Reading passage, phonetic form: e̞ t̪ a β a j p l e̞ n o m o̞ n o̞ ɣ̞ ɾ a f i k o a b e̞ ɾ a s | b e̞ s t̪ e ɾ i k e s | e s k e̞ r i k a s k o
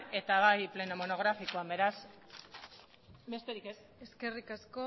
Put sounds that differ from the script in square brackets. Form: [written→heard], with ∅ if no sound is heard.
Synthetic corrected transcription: e̞ t̪ a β a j p l e̞ n o m o̞ n o̞ ɣ̞ ɾ a f i k o a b e̞ ɾ a s | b e̞ s t̪ e ɾ i k e s | e s k e̞ r i k a s k o